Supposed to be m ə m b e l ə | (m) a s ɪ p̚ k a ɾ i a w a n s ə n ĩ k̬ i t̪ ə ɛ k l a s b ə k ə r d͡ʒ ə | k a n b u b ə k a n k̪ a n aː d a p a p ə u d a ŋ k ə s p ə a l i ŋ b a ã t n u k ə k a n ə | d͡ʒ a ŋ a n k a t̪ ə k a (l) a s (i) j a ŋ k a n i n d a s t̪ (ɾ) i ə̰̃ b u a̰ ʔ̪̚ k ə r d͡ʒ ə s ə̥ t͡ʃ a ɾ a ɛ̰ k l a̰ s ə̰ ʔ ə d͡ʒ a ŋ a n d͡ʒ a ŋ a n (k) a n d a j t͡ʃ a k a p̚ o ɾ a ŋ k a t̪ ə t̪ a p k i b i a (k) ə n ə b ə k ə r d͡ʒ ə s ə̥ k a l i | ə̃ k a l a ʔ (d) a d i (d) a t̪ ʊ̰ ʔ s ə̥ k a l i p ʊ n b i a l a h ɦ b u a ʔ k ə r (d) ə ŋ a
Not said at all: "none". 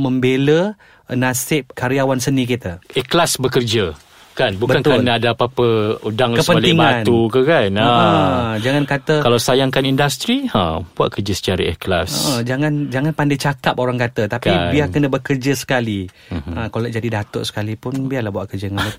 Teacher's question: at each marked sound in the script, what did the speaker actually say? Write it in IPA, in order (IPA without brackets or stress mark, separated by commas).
n, l, a, ɾ, p, k, d͡ʒ, d, d͡ʒ